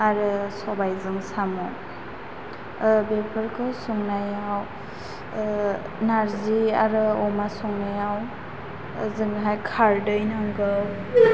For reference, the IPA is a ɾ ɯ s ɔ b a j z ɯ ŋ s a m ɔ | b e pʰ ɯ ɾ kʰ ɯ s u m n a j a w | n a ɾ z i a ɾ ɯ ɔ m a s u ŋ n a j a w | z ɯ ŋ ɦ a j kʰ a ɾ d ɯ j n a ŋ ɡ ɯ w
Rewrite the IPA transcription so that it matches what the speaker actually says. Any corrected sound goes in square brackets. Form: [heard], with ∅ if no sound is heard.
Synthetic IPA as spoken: a ɾ ɯ s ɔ b a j z ɯ ŋ s a m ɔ | b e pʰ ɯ ɾ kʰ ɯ s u [ŋ] n a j a w | n a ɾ z i a ɾ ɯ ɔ m a s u ŋ n a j a w | z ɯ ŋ ɦ a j kʰ a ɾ d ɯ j n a ŋ ɡ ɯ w